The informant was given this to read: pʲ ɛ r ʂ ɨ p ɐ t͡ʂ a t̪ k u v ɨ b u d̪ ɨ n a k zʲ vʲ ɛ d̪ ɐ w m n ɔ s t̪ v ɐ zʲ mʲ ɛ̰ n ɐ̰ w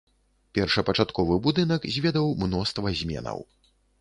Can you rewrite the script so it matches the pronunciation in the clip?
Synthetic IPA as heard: pʲ ɛ r ʂ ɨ p ɐ t͡ʂ a t̪ k ɔ v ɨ b u d̪ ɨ n ɐ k zʲ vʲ ɛ d̪ ɐ w m n ɔ s t̪ v ɐ zʲ mʲ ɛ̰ n ɐ̰ w